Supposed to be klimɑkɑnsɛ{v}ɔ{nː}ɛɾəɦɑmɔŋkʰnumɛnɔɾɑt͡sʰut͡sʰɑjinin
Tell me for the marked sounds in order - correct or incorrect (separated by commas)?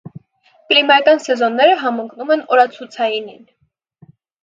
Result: incorrect, correct